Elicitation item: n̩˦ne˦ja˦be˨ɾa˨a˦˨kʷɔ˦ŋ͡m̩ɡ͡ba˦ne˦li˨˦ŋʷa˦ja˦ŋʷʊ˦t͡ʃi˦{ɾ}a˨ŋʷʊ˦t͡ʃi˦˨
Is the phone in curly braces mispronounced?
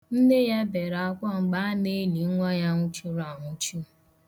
no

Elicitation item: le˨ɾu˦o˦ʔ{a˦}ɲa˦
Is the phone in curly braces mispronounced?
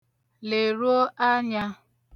no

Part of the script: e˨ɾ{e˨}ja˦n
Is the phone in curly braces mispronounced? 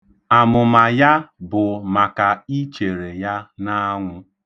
no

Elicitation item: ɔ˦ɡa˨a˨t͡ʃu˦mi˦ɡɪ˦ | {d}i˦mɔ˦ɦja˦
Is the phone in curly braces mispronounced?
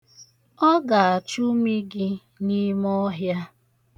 yes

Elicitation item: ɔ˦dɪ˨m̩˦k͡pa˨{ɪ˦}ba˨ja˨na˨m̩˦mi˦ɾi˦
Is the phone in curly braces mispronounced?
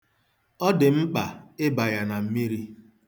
no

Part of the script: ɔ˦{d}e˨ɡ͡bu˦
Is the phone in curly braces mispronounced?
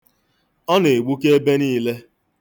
yes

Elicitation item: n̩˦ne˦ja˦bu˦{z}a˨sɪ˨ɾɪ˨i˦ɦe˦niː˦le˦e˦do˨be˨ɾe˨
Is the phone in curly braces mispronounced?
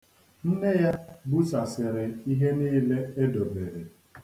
yes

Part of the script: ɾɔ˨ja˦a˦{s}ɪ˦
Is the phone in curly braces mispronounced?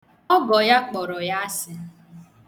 no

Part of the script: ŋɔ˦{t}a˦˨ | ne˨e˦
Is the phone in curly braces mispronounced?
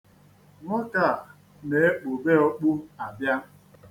yes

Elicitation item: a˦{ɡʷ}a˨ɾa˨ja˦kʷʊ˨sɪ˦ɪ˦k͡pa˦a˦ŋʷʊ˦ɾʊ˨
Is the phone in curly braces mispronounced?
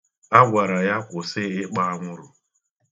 no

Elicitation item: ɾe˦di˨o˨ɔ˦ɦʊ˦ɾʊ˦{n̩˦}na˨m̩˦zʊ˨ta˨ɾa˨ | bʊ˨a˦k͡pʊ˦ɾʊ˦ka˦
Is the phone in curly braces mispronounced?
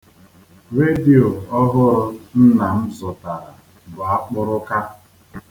no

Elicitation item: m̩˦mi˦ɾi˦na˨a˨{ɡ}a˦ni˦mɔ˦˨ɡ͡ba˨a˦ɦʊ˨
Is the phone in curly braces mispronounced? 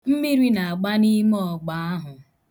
yes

